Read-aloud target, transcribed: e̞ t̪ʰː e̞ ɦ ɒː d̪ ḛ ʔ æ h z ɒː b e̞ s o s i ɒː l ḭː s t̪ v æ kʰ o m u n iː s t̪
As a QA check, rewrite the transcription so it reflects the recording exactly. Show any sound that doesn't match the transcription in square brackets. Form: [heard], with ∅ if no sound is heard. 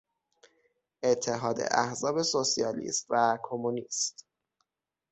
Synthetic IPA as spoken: e̞ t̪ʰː e̞ ɦ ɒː d̪ ḛ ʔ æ h z ɒː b e̞ s o s i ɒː l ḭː s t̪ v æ kʰ o m u n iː s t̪